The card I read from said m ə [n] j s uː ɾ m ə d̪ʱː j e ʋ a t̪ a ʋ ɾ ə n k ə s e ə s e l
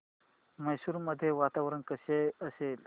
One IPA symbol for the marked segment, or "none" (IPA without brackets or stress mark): none